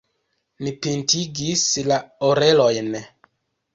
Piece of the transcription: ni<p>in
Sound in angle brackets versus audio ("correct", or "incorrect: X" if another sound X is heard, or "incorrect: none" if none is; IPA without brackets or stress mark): correct